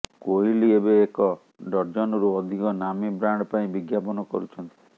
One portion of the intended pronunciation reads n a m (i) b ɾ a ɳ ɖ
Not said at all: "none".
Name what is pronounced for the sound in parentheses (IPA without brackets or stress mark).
i